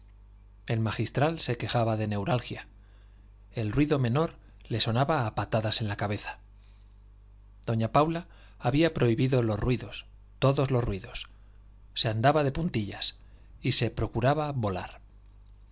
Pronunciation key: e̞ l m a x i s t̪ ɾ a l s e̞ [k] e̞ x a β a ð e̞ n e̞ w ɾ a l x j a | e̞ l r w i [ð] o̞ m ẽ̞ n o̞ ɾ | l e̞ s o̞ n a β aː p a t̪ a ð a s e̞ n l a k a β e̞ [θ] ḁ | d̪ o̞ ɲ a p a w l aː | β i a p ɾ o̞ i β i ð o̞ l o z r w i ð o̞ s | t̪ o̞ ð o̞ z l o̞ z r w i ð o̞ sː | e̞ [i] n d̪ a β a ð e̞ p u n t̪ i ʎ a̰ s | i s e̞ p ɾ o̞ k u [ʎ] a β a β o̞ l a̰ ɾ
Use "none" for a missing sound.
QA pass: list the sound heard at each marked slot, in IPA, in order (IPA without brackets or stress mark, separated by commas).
k, ð, θ, a, ɾ